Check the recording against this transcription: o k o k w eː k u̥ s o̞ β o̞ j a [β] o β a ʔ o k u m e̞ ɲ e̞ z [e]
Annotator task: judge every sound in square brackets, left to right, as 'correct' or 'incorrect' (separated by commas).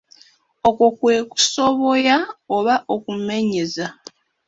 incorrect, incorrect